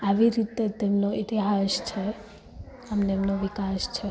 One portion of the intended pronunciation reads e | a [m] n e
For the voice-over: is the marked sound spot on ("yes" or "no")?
yes